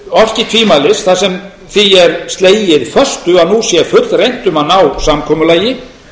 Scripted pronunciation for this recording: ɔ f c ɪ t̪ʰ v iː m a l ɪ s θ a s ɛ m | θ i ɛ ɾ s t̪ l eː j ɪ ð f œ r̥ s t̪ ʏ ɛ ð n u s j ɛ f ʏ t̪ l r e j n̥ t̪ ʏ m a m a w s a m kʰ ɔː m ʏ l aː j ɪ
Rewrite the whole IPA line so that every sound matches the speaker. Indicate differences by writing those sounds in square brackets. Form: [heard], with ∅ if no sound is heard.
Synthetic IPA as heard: ɔ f c ɪ t̪ʰ v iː m a l ɪ s θ a s ɛ m | θ i ɛ ɾ s t̪ l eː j ɪ ð f œ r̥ s t̪ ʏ [a] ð n u s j ɛ f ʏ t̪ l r e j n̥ t̪ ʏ m a [n] a w s a m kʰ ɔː m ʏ l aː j ɪ